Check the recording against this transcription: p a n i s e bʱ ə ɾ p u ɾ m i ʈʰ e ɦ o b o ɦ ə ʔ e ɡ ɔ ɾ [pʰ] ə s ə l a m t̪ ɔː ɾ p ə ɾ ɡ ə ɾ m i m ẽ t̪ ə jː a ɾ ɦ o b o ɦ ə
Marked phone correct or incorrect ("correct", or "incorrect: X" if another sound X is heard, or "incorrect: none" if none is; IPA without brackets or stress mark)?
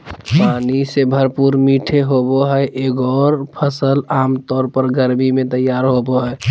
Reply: correct